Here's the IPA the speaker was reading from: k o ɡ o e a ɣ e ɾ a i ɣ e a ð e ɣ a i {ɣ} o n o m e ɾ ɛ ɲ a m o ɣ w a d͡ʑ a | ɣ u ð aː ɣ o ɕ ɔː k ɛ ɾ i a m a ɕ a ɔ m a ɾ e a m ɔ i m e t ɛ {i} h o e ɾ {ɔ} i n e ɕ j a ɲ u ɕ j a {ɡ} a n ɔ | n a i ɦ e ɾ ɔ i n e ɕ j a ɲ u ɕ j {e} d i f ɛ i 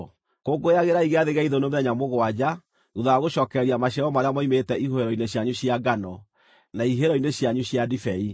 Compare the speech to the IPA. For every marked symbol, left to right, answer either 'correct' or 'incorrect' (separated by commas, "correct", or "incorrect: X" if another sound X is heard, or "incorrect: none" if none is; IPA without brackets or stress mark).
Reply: incorrect: ð, correct, correct, correct, incorrect: a